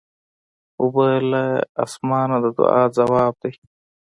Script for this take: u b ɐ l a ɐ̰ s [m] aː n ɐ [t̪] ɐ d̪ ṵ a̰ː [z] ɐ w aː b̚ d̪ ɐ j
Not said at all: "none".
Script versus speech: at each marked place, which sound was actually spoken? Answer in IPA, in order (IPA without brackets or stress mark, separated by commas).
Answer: m, d̪, z